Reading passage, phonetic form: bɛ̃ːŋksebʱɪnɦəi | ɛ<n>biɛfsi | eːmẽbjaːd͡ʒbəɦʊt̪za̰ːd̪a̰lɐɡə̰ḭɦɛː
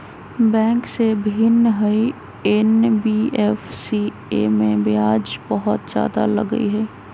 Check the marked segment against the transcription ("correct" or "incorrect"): correct